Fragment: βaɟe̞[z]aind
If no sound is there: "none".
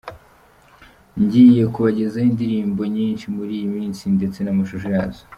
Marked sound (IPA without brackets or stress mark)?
z